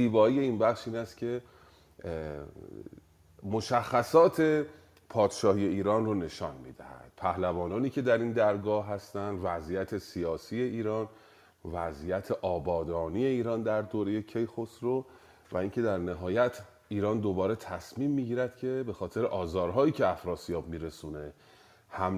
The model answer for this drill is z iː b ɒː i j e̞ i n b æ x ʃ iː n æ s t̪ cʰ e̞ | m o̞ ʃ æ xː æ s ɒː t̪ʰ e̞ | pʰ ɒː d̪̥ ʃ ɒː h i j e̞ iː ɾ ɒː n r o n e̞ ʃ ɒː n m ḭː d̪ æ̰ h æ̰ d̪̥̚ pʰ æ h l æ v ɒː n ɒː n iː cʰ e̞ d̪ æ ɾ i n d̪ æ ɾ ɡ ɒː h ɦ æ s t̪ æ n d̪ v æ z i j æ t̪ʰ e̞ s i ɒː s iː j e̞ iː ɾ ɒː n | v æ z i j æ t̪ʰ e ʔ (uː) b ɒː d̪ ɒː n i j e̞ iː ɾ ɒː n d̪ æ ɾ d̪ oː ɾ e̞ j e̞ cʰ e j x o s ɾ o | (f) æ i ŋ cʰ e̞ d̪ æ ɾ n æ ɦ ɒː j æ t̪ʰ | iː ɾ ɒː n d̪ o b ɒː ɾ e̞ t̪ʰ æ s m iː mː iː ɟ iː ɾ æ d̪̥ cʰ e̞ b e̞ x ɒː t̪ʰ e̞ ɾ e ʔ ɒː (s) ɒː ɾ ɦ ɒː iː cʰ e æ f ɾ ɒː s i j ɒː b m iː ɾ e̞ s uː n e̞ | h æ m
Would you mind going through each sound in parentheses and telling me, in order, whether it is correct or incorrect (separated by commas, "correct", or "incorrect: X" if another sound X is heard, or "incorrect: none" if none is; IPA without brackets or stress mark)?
incorrect: ɒː, incorrect: v, incorrect: z